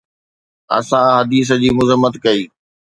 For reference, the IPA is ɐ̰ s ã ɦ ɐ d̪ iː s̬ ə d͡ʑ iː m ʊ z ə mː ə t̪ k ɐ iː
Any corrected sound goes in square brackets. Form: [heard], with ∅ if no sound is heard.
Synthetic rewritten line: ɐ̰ s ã ɦ ɐ d̪ iː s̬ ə d͡ʑ iː m ʊ z ə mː ə t̪ k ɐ iː